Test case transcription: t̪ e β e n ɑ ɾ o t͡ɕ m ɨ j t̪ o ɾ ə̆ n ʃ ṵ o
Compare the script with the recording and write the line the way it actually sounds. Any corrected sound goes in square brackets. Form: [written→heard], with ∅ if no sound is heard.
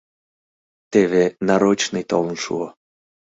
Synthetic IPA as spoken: t̪ e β e n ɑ ɾ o t͡ɕ [m→n] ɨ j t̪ o [ɾ→l] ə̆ n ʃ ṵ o